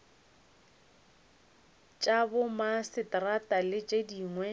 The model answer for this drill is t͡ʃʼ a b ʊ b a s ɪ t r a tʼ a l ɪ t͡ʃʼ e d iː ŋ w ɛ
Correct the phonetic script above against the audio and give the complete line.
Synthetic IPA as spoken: t͡ʃʼ a b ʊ m a s ɪ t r a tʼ a l ɪ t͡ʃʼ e d iː ŋ w ɛ

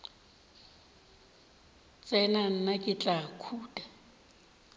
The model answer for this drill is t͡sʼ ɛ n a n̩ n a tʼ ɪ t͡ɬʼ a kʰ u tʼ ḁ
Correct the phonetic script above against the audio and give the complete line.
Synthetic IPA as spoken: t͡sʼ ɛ n a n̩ n a kʼ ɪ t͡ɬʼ a kʰ uː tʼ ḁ

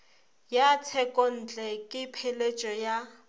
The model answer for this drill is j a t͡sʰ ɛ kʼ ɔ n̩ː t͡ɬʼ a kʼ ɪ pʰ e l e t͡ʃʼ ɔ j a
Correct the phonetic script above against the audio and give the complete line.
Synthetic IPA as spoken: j a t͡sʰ ɛ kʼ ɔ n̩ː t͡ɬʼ ɛ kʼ ɪ pʰ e l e t͡ʃʼ ɔ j a

